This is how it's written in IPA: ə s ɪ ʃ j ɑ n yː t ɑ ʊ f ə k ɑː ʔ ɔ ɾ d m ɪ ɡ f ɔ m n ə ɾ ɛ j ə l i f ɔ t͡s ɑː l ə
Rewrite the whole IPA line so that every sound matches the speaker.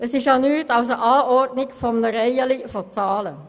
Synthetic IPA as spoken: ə s ɪ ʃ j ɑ n yː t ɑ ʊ s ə ʔ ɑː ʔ ɔ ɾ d n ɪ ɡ f ɔ m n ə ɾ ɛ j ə l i f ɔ t͡s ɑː l ə